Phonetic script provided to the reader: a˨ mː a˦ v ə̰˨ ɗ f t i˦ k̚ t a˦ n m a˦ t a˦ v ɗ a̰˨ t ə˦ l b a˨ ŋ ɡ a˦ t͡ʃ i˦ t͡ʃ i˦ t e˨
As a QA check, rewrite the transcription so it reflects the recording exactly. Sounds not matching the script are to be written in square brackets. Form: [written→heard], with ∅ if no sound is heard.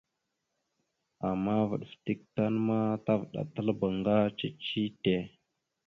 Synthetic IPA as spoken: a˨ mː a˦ v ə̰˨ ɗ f t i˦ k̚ t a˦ n m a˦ t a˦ v ɗ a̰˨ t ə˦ l b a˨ ŋ ɡ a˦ t͡ʃ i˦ t͡ʃ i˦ t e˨